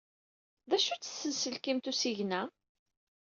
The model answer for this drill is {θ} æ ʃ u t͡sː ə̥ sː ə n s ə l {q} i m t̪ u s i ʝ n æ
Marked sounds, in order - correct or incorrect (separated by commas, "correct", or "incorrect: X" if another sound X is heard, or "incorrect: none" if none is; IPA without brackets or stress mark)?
incorrect: ð, incorrect: k